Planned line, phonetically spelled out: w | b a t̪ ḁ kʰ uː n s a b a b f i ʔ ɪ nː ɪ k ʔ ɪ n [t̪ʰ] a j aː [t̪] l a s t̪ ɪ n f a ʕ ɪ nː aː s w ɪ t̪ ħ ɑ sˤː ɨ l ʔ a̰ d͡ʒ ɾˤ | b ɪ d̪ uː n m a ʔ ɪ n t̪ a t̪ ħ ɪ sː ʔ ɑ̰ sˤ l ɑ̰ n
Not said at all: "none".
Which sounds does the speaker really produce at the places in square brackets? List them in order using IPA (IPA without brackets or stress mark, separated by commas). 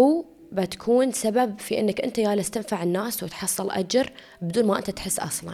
t̪, none